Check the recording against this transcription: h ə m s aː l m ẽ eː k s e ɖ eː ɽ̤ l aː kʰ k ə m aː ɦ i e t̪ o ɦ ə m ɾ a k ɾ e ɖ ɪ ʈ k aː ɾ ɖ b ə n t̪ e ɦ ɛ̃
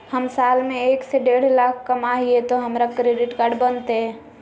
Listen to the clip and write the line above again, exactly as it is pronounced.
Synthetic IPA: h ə m s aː l m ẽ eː k s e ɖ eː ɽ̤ l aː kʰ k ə m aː ɦ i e t̪ o ɦ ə m ɾ a k ɾ e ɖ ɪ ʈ k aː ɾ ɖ b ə n t̪ e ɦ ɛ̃